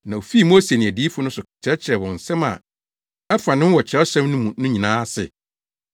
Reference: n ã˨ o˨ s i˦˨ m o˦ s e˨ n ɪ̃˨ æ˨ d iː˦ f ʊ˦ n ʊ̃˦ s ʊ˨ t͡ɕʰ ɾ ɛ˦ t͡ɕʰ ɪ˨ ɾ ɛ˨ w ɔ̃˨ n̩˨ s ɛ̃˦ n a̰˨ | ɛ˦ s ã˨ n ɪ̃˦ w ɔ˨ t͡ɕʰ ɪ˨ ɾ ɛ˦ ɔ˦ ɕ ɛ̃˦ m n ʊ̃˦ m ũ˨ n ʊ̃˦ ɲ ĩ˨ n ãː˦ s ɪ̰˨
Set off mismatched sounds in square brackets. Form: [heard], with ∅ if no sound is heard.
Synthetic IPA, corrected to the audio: n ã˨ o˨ [f] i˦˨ m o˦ s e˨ n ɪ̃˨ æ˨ d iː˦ f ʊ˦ n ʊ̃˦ s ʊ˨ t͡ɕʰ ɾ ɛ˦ t͡ɕʰ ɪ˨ ɾ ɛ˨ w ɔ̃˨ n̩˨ s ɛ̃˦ [m] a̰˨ | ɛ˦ [f] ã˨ n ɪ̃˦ w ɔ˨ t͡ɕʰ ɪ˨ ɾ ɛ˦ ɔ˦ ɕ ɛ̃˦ m n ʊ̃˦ m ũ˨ n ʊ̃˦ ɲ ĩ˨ n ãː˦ s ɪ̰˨